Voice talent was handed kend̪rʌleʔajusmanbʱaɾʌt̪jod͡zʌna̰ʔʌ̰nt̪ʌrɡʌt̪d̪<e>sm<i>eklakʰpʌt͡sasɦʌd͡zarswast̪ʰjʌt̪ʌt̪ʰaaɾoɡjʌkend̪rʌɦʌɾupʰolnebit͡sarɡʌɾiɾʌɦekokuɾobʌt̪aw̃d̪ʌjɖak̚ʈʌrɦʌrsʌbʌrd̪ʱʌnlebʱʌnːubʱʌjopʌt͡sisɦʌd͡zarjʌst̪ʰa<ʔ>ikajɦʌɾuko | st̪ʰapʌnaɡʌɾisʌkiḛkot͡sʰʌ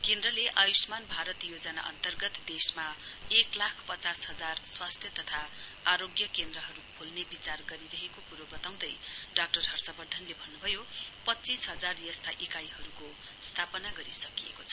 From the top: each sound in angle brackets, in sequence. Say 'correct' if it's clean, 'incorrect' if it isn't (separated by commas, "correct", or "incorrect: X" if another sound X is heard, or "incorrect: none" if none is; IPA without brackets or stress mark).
correct, incorrect: a, correct